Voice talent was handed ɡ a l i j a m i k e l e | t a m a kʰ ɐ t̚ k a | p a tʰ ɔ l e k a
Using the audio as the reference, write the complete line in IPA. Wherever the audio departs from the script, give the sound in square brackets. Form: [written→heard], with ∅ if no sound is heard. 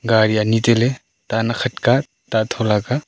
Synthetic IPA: ɡ a [l→ɾ] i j a [m→n] i [k→t] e l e | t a [m→n] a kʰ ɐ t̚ k a | [p→t] a tʰ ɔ l [e→a] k a

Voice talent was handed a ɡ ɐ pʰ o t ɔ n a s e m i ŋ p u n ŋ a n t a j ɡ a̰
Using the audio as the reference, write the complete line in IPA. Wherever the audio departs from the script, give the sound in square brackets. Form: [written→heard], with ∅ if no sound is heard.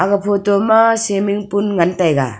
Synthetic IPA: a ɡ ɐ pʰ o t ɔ [n→m] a s e m i ŋ p u n ŋ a n t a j ɡ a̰

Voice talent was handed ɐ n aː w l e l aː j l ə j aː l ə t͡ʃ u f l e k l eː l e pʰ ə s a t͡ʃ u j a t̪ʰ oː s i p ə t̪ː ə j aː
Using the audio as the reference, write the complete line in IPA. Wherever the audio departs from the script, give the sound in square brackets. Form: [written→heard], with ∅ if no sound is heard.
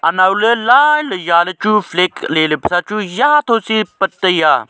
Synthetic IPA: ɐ n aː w l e l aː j l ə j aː l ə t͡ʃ u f l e k l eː l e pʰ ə s a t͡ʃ u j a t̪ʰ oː s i p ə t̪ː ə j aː

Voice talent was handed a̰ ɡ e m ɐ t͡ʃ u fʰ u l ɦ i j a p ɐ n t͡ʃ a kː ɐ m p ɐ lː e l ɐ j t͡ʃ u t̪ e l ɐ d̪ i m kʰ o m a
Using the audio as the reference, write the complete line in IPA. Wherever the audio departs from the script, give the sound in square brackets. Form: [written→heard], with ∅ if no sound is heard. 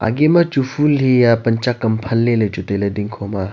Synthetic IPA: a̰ ɡ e m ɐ t͡ʃ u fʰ u l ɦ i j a p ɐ n t͡ʃ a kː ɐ m [p→pʰ] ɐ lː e l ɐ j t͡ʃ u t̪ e l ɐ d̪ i [m→ŋ] kʰ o m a

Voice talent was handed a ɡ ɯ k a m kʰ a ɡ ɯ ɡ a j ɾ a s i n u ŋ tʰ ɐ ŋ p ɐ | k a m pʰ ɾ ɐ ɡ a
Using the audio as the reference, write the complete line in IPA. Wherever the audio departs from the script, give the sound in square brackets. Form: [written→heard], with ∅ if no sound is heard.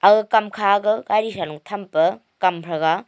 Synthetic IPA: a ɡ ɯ k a m kʰ a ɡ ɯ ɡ a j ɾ [a→i] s [i→a] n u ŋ tʰ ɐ [ŋ→m] p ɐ | k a m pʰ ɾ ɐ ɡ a

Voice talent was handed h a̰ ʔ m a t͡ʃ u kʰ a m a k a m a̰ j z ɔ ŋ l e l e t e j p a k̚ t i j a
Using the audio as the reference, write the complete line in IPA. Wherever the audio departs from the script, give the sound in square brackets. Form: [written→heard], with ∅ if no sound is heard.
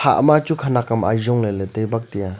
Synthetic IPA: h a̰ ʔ m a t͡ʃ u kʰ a [m→n] a k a m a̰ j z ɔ ŋ l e l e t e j [p→b] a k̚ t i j a

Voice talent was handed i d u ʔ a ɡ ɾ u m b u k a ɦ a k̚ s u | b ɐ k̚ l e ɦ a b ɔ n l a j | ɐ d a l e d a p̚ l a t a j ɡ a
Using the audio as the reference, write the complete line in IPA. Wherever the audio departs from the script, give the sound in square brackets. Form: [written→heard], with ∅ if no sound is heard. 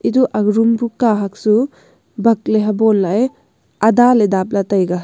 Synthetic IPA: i d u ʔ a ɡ ɾ u m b u k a ɦ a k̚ s u | b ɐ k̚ l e ɦ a b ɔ n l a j | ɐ d a l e d a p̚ l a t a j ɡ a

